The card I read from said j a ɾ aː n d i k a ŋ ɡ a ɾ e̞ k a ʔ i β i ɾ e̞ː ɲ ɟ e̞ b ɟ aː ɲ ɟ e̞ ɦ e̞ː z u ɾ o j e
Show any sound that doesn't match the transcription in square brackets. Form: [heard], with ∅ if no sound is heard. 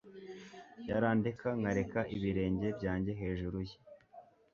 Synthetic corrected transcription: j a ɾ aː n d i k a ŋ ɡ a ɾ e̞ k a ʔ i β i ɾ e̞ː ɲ ɟ e̞ b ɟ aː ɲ ɟ e̞ ɦ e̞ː [ʒ] u ɾ [u] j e